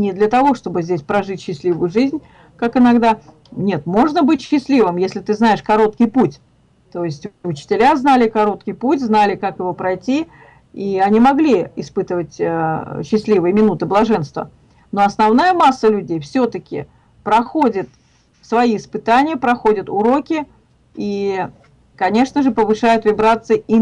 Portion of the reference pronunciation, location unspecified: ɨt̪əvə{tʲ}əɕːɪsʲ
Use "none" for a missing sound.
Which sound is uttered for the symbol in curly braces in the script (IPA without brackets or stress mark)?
tʲ